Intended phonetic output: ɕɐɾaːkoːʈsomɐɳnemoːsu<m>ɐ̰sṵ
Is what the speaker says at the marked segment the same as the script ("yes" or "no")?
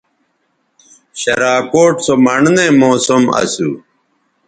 yes